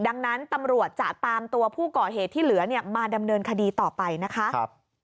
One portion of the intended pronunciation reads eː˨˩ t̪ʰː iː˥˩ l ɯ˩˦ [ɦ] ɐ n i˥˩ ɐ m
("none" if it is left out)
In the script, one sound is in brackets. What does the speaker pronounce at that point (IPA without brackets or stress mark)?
none